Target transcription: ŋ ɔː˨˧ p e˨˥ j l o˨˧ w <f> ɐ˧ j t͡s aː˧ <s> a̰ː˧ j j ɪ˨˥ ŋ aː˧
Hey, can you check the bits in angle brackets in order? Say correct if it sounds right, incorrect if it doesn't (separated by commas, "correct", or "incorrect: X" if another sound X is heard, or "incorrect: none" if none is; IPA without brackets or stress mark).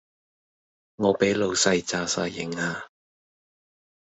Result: incorrect: s, correct